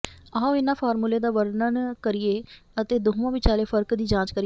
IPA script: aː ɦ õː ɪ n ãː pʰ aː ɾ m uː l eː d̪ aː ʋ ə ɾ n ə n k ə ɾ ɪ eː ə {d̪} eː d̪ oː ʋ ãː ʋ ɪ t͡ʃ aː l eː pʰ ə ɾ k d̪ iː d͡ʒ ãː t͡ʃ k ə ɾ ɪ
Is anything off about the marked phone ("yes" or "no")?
yes